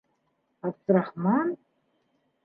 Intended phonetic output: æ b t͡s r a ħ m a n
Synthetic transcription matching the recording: a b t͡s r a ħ m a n